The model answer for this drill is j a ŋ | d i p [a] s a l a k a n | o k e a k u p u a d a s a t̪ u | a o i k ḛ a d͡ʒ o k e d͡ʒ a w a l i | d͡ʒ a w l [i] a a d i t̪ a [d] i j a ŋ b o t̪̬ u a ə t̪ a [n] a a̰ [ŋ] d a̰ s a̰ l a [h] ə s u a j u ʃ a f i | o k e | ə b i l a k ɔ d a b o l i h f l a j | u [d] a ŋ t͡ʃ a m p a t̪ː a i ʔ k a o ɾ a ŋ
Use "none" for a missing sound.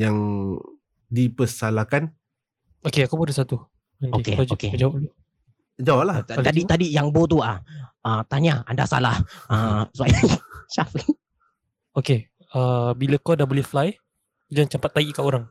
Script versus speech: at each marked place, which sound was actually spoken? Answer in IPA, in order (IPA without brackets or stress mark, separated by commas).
ə, a, d, ɲ, n, h, d͡ʒ